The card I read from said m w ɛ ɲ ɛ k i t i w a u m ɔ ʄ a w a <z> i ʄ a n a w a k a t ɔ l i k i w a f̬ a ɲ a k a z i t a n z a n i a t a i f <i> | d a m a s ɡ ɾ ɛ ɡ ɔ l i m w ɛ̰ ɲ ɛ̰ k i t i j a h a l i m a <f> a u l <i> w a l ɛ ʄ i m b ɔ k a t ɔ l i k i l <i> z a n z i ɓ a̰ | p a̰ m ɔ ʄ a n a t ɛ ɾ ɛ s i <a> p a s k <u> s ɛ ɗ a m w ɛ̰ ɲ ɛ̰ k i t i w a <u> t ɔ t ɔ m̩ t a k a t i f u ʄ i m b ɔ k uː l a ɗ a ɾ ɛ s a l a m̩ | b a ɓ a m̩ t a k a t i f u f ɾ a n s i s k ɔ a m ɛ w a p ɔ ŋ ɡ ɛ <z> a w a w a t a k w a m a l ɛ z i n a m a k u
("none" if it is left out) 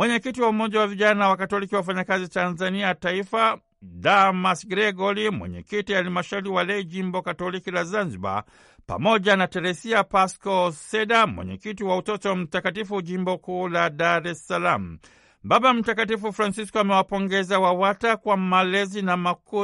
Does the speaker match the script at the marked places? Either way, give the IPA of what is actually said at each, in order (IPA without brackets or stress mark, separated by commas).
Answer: v, a, ʃ, i, a, a, ɔ, u, z